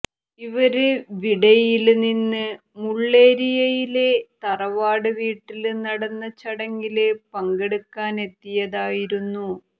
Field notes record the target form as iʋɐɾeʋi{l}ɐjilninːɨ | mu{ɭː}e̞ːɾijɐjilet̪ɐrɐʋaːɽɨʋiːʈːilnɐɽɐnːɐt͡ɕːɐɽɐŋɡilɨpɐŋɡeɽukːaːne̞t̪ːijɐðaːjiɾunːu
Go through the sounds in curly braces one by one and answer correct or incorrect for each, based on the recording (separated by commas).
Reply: incorrect, correct